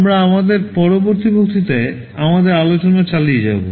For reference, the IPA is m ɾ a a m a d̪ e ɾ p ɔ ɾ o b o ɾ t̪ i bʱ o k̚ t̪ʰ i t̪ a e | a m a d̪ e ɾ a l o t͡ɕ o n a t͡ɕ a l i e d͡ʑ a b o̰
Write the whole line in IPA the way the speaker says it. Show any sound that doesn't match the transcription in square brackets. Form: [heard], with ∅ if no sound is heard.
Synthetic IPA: m ɾ a a m a d̪ e ɾ p ɔ ɾ o b o ɾ t̪ i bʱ o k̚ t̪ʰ i t̪ a e | a m a d̪ e ɾ a l o t͡ɕ o n a t͡ɕ a l i e d͡ʑ a b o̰